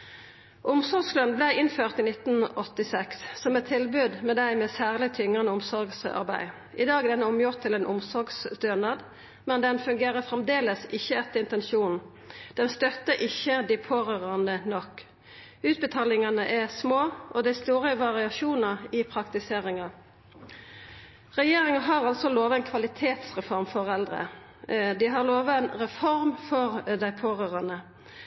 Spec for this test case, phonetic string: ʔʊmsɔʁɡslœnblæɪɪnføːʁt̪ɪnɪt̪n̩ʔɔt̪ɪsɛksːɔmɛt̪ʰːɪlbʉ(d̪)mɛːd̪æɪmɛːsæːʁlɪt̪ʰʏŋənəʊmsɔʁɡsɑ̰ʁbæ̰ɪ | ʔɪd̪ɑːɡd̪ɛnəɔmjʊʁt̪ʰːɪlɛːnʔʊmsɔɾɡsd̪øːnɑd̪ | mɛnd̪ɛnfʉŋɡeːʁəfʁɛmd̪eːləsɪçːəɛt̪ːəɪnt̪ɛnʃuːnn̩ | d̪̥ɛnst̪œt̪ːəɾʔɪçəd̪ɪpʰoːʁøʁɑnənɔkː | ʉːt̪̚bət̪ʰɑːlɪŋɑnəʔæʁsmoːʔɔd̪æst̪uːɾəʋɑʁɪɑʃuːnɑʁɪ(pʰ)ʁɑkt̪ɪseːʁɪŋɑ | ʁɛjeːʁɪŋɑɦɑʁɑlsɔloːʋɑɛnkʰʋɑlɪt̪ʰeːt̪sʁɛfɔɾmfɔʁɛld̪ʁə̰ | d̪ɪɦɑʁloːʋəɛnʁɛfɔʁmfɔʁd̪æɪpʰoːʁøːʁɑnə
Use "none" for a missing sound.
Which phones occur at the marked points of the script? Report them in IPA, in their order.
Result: d̪, pʰ

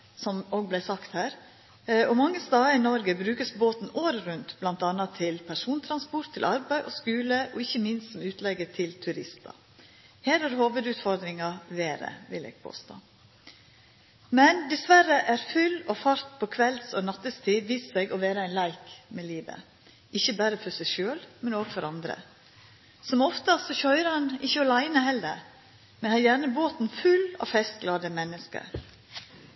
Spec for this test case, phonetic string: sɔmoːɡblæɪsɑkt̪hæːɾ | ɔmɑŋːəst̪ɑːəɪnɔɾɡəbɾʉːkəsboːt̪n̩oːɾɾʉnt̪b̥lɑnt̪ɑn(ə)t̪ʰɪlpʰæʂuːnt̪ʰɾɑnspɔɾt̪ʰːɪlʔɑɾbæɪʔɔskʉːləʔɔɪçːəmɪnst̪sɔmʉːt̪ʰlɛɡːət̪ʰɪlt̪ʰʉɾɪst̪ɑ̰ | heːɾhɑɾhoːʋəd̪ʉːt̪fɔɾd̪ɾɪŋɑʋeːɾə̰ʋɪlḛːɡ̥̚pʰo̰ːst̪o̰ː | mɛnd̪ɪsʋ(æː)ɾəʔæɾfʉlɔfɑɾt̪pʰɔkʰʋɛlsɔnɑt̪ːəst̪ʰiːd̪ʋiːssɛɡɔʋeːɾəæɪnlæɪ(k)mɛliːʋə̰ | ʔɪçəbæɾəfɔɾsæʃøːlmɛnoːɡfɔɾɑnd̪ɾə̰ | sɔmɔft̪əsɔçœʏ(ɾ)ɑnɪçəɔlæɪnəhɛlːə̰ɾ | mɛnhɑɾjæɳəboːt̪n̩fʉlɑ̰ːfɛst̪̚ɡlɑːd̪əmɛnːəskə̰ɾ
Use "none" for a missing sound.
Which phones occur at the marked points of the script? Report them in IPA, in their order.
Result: ɑ, æ, k, ɾ

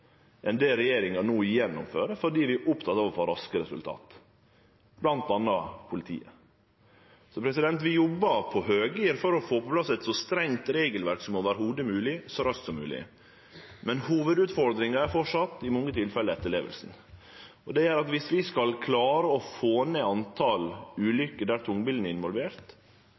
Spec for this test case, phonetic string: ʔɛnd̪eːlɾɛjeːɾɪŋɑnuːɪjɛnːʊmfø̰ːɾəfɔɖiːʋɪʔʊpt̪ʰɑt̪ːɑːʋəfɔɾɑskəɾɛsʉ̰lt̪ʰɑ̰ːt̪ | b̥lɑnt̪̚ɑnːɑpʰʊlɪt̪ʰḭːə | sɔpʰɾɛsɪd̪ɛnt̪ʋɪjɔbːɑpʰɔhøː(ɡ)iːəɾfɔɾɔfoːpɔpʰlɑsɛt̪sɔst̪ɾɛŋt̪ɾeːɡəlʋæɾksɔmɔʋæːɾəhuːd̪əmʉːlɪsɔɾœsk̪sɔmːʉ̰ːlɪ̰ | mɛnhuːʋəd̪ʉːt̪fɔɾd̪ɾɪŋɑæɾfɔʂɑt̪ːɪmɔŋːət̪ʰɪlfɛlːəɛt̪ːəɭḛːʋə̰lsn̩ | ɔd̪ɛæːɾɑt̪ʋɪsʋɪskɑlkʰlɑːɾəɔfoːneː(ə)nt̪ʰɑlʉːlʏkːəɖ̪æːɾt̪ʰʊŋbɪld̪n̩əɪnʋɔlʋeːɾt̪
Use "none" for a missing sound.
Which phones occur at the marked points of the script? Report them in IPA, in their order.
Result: ɡ, ɑ

